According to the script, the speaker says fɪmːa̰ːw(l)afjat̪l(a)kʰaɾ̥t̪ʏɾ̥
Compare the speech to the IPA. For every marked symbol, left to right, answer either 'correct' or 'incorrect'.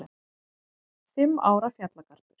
incorrect: ɾ, correct

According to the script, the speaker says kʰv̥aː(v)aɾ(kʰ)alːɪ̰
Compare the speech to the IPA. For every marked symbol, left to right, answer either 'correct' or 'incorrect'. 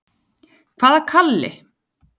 incorrect: ð, correct

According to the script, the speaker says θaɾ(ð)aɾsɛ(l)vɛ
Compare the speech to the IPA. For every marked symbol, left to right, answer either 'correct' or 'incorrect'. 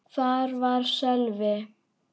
incorrect: v, correct

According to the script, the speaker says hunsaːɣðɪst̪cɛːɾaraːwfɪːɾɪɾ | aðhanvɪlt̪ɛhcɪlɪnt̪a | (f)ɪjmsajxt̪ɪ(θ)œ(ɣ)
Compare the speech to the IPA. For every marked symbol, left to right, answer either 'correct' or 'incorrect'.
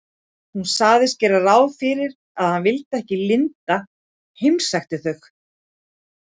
incorrect: h, correct, incorrect: x

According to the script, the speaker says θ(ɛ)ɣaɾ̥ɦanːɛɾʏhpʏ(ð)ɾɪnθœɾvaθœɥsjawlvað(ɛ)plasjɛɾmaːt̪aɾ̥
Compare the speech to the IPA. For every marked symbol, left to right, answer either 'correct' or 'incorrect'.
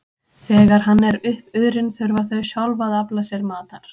incorrect: ɛː, correct, incorrect: a

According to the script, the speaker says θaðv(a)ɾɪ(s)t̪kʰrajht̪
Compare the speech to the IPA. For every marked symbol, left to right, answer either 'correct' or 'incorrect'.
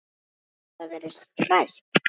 incorrect: ɛ, correct

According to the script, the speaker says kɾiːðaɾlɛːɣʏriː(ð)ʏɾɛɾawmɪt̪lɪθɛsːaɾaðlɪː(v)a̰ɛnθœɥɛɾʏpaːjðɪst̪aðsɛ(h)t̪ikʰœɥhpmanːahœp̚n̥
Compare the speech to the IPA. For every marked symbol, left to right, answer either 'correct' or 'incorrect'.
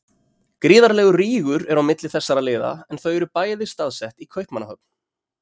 incorrect: ɣ, incorrect: ð, correct

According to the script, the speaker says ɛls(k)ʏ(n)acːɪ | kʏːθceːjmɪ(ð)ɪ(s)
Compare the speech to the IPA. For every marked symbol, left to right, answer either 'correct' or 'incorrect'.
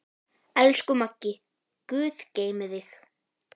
correct, incorrect: m, correct, incorrect: x

